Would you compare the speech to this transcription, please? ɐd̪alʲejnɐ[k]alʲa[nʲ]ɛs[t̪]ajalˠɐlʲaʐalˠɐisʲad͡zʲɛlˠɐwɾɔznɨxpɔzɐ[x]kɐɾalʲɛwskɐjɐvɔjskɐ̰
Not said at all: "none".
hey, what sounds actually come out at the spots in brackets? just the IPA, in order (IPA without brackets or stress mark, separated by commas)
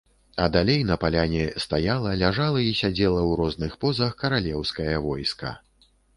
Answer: p, nʲ, t̪, x